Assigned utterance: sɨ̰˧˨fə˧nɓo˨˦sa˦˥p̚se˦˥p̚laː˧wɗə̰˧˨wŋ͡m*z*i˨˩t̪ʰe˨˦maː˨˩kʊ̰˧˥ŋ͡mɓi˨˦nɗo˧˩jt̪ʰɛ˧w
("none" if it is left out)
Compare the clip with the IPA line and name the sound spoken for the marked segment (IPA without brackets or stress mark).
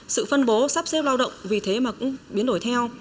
v